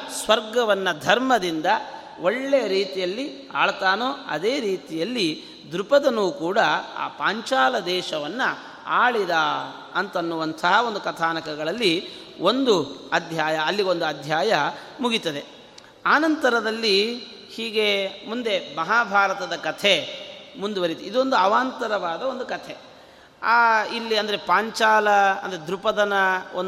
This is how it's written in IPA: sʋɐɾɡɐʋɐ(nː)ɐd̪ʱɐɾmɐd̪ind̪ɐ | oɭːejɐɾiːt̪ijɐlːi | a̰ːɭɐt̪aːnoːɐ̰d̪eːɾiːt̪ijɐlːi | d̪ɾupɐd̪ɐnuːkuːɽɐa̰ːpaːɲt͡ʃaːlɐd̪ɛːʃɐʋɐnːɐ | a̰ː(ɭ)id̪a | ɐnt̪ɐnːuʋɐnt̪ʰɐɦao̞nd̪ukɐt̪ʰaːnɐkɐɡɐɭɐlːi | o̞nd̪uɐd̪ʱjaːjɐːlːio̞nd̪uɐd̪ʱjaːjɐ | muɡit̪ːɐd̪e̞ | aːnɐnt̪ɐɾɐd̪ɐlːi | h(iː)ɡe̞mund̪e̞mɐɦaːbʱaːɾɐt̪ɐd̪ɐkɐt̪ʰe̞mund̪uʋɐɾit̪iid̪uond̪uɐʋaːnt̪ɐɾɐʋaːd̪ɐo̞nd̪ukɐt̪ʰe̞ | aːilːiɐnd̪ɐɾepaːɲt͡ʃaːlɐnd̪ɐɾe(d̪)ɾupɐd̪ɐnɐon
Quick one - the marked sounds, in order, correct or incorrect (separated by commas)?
correct, correct, correct, correct